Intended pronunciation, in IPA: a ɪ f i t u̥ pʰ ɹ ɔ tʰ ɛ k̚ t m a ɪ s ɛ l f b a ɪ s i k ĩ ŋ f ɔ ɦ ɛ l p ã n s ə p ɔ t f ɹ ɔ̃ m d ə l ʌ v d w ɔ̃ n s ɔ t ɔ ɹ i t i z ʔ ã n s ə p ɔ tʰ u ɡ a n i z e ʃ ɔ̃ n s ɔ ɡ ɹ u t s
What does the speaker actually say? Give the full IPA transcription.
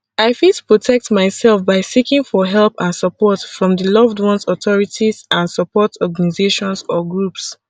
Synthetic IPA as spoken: a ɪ f i t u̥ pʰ ɹ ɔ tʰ ɛ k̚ t m a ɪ s ɛ l f b a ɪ s i k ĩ ŋ f ɔ ɦ ɛ l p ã n s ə p ɔ t f ɹ ɔ̃ m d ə l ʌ v d w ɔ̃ n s ɔ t ɔ ɹ i t i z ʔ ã n s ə p ɔ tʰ ɔ ɡ a n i z e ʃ ɔ̃ n s ɔ ɡ ɹ u p s